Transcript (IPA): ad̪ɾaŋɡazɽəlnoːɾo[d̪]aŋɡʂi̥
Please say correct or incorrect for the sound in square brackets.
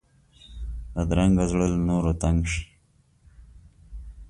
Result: incorrect: t̪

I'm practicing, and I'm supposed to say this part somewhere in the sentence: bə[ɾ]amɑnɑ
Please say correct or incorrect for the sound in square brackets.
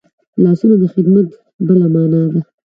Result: incorrect: l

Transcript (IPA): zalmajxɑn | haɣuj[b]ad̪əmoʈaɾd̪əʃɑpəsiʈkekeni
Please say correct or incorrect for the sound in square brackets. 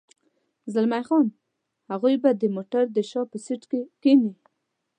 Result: correct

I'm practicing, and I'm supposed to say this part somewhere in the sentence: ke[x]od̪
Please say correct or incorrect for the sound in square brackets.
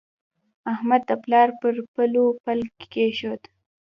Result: incorrect: ʃ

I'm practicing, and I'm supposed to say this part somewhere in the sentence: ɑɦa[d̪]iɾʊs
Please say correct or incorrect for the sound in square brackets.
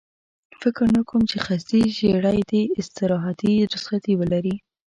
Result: incorrect: t̪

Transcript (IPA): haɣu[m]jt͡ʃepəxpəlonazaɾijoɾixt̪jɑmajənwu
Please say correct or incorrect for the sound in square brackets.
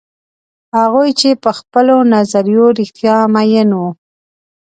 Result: incorrect: none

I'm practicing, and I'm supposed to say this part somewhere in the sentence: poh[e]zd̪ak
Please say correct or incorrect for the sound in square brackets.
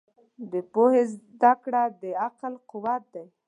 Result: correct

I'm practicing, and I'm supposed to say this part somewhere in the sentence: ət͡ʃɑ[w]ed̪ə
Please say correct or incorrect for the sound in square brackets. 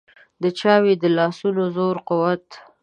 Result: correct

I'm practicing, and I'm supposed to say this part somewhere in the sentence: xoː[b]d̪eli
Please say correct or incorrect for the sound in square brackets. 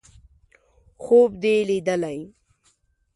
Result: correct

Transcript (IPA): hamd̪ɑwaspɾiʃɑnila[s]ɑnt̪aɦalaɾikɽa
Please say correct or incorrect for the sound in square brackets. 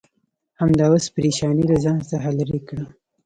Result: incorrect: z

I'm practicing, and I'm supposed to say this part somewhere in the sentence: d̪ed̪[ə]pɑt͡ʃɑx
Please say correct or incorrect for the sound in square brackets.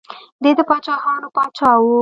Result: correct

